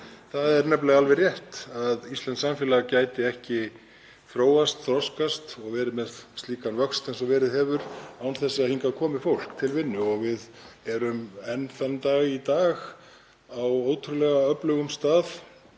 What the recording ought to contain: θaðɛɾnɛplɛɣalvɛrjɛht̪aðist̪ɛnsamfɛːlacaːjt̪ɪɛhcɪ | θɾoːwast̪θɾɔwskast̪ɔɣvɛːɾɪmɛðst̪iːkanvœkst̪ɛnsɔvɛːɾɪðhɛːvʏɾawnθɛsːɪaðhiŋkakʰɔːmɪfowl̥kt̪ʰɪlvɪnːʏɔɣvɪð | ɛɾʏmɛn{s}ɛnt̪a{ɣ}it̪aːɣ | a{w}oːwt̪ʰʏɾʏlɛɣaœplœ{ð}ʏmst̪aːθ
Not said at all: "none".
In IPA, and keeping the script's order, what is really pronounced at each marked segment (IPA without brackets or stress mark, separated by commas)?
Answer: f, ɣ, w, ɣ